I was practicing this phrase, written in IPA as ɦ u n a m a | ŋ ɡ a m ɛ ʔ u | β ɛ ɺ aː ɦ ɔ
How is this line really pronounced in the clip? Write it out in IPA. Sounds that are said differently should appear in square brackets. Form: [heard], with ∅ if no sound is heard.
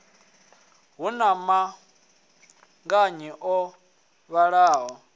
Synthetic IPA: ɦ u n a m a | ŋ ɡ a [ɲ] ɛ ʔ [ɔ] | β [a] ɺ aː ɦ ɔ